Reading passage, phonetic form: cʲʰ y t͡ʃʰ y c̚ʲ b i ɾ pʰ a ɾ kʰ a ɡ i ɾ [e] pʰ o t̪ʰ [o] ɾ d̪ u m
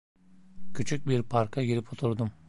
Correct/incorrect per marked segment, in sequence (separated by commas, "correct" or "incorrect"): incorrect, incorrect